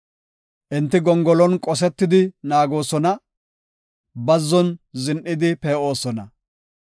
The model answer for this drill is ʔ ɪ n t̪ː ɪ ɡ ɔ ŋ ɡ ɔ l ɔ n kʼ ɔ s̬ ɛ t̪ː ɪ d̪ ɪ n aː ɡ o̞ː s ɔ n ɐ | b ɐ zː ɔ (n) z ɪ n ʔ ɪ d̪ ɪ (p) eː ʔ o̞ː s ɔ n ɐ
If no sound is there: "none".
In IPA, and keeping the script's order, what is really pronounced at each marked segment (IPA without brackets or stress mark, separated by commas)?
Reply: n, p